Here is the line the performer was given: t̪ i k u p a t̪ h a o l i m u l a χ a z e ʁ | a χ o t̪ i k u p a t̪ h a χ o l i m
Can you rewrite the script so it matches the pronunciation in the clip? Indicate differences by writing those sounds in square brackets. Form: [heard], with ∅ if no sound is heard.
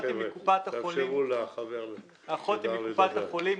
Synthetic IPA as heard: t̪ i k u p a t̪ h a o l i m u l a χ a [v] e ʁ | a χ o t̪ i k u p a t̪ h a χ o l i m